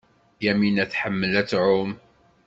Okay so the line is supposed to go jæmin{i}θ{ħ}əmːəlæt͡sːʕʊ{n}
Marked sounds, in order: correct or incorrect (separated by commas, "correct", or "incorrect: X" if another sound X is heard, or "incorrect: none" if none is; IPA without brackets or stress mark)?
incorrect: æ, correct, incorrect: m